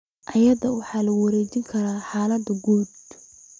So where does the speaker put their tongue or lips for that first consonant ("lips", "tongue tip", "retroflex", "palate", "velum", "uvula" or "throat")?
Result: throat